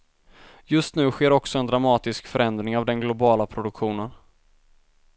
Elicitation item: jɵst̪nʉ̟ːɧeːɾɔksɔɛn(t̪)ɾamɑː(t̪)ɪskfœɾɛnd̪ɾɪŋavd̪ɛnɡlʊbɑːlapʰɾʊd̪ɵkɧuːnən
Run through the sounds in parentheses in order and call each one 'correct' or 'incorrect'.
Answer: incorrect, correct

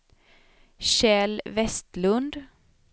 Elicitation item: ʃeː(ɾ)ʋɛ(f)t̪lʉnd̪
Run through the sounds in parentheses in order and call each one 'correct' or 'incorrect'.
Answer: incorrect, incorrect

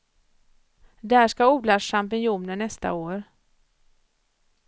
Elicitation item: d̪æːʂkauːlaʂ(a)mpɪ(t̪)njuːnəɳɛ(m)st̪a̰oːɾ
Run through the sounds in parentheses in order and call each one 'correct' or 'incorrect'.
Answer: correct, incorrect, incorrect

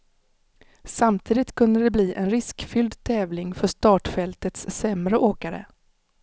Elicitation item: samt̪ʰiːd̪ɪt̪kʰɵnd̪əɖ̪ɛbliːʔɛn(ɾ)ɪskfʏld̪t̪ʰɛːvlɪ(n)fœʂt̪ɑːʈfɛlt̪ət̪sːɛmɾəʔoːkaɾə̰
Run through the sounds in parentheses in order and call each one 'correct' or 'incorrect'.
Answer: correct, incorrect

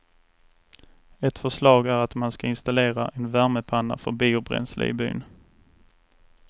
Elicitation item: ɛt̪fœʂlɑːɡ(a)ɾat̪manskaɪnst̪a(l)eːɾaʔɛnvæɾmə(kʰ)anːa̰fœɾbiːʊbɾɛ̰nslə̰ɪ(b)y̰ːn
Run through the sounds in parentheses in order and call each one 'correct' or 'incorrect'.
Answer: incorrect, correct, incorrect, correct

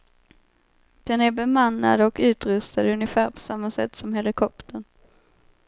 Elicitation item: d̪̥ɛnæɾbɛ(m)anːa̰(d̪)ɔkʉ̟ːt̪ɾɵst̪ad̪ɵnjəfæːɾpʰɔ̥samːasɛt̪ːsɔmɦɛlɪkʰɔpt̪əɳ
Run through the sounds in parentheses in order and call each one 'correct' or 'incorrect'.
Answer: correct, correct

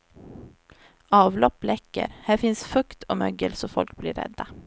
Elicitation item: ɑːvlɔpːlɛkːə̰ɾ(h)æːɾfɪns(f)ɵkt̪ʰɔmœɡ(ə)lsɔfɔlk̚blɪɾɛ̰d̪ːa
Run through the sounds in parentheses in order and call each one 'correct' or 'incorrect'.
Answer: correct, correct, correct

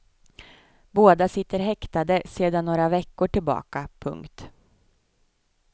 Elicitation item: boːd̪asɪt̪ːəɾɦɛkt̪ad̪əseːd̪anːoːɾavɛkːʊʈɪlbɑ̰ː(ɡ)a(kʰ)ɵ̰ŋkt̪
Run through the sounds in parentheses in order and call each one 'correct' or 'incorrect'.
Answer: incorrect, incorrect

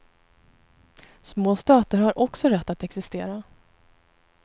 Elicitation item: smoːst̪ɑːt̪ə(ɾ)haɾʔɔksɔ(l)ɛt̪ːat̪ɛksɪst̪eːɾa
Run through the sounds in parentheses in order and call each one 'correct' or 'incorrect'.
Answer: correct, incorrect

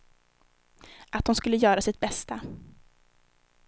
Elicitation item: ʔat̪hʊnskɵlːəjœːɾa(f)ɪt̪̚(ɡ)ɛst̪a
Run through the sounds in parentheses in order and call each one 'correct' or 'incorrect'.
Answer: incorrect, incorrect

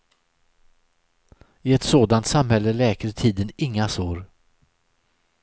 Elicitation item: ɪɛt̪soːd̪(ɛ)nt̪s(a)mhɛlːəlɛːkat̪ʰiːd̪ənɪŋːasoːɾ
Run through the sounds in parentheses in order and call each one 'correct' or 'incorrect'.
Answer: incorrect, correct

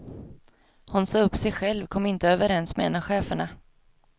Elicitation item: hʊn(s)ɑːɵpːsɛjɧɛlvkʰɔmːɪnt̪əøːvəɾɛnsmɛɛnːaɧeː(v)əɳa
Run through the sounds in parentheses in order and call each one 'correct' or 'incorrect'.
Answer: correct, incorrect

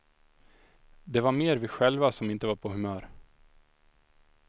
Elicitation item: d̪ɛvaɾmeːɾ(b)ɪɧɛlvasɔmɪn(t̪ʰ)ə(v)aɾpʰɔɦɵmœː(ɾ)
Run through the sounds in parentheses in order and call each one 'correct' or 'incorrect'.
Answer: incorrect, incorrect, correct, correct

